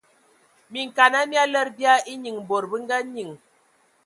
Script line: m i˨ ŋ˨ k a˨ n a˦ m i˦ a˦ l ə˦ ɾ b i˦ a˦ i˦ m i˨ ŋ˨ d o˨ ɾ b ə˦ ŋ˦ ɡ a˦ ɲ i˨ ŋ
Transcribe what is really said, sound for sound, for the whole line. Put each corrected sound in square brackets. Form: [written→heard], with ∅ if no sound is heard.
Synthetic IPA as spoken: m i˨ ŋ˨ k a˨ n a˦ m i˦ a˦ l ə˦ ɾ b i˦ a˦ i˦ [m→ɲ] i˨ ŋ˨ [d→b] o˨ ɾ b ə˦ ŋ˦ ɡ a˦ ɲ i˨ ŋ